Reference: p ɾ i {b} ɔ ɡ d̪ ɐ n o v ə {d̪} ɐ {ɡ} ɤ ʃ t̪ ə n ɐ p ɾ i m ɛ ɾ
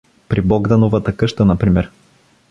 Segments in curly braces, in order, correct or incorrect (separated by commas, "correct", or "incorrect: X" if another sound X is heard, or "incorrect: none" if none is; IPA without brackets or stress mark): correct, incorrect: t̪, incorrect: k